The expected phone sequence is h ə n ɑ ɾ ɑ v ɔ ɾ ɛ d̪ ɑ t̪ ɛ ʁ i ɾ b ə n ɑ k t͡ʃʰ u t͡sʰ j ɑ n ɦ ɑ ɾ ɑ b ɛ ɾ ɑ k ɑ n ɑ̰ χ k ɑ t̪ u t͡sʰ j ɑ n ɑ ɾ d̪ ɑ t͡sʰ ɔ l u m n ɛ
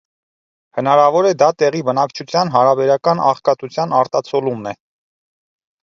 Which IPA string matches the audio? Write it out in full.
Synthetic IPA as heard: h ə n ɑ ɾ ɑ v ɔ ɾ ɛ d̪ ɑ t̪ ɛ ʁ i b ə n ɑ k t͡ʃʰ u t͡sʰ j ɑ n ɦ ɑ ɾ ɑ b ɛ ɾ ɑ k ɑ n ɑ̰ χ k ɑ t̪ u t͡sʰ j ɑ n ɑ ɾ t̪ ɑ t͡sʰ ɔ l u m n ɛ